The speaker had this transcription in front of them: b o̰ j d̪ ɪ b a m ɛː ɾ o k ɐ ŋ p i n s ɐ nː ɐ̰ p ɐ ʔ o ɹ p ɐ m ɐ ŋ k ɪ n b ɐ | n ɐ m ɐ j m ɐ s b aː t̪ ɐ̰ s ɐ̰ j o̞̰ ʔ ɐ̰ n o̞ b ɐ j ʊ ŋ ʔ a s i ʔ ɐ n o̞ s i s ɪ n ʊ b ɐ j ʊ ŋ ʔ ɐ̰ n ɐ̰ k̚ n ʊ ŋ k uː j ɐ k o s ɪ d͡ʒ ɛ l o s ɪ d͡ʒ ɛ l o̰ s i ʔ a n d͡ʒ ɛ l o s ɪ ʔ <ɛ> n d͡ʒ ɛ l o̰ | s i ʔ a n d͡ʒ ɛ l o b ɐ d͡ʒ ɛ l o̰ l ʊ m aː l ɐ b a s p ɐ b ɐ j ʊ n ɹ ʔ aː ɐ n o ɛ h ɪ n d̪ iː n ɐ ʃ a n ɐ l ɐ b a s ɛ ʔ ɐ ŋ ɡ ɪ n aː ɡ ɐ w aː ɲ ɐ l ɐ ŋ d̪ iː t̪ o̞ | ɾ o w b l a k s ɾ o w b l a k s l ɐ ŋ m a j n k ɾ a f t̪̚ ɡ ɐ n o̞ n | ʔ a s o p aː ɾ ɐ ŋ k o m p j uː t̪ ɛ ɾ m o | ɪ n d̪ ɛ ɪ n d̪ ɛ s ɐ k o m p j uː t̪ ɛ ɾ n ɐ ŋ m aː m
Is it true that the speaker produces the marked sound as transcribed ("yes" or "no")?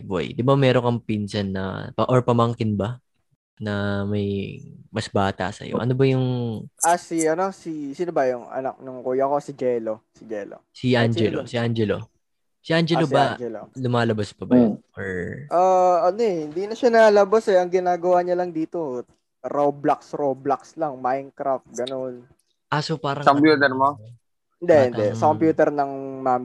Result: no